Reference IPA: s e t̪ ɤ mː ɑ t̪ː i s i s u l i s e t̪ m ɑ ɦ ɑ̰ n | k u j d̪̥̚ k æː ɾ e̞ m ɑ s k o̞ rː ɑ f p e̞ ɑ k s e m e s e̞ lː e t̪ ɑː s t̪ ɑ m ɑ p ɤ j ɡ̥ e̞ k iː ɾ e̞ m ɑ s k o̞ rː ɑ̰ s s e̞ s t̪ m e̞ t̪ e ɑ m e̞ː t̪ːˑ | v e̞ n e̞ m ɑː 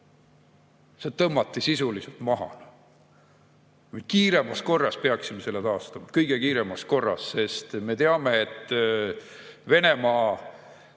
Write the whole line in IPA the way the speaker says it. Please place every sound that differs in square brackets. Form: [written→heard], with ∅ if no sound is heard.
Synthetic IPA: s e t̪ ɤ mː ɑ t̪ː i s i s u l i s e t̪ m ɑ ɦ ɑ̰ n | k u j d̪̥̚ k [æː→iː] ɾ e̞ m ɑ s k o̞ rː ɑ [f→s] p e̞ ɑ k s [e→i] m e s e̞ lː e t̪ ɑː s t̪ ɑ m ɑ [p→k] ɤ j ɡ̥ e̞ k iː ɾ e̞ m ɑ s k o̞ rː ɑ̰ s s e̞ s t̪ m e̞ t̪ e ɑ m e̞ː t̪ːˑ | v e̞ n e̞ m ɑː

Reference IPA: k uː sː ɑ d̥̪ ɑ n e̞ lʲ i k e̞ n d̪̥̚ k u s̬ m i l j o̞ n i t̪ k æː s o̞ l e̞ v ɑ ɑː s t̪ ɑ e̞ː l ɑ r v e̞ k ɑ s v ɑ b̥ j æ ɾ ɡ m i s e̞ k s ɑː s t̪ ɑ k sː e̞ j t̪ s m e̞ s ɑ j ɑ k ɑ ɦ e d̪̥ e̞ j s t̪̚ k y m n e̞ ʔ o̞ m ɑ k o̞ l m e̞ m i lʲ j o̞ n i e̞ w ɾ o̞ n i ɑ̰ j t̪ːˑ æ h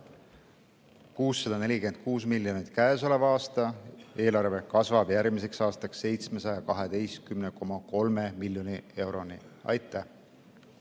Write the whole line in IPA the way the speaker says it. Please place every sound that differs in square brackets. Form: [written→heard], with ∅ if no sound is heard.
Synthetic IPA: k uː sː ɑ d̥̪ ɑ n e̞ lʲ i k e̞ n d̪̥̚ k [u→uː] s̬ m i l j o̞ n i t̪ k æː s o̞ l e̞ v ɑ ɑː s t̪ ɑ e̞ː l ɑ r v e̞ k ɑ s v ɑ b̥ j æ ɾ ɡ m i s e̞ k s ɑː s t̪ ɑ k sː e̞ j t̪ s m e̞ s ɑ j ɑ k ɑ ɦ e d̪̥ e̞ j s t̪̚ k y m n e̞ [ʔ→k] o̞ m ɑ k o̞ l m e̞ m i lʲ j o̞ n i e̞ w ɾ o̞ n i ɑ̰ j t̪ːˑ æ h

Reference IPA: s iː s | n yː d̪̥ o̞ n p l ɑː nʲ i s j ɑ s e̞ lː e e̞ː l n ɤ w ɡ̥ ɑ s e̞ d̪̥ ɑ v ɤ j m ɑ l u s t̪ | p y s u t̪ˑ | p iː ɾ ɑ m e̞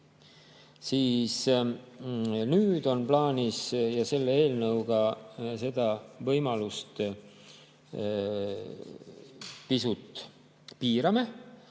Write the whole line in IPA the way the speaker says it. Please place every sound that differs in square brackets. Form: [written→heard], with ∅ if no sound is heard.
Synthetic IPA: s iː s | n yː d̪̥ o̞ n p l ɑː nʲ i s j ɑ s e̞ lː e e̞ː l n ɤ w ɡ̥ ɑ s e̞ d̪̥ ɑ v ɤ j m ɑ l u s t̪ | p [y→i] s u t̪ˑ | p iː ɾ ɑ m e̞

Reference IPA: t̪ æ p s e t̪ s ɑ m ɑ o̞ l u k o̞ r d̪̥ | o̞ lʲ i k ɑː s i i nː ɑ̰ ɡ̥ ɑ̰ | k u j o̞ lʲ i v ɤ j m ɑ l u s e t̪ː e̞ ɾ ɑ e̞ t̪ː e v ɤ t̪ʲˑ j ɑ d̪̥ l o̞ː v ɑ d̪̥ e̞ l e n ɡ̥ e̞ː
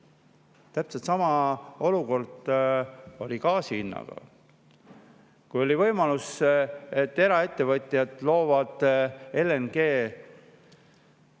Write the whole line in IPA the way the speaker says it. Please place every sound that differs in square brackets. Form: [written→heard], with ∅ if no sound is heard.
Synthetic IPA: t̪ æ p s e t̪ s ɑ m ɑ o̞ l u k o̞ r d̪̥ | o̞ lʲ i k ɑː s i i nː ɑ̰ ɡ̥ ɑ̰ | k u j o̞ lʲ i v ɤ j m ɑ l u s e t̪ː e̞ ɾ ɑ e̞ t̪ː e v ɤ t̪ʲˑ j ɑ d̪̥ l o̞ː v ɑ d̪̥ e̞ l e n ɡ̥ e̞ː

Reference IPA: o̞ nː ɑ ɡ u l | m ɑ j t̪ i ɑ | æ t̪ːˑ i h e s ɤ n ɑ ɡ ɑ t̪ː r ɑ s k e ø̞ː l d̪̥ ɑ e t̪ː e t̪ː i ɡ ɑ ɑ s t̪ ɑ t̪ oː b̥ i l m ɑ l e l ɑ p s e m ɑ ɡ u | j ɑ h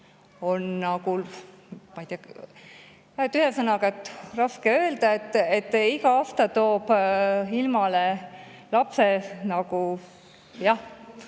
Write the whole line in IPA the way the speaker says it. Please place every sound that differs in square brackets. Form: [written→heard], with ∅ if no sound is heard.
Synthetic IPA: o̞ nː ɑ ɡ u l | m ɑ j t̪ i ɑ | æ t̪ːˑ [i→y] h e s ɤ n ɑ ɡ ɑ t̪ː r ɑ s k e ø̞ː l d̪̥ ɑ e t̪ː e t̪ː i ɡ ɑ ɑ s t̪ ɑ t̪ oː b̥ i l m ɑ l e l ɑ p s e [m→n] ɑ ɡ u | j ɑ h

